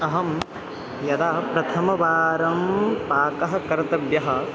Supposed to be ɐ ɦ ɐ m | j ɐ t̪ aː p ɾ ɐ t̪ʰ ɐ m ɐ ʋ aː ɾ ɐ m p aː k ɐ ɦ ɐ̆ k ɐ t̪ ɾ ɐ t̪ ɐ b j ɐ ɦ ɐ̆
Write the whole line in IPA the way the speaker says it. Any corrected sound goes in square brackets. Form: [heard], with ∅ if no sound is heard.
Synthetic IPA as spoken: ɐ ɦ ɐ m | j ɐ [d̪] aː p ɾ ɐ t̪ʰ ɐ m ɐ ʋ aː ɾ ɐ m p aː k ɐ ɦ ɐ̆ k ɐ [∅] ɾ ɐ t̪ ɐ b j ɐ ɦ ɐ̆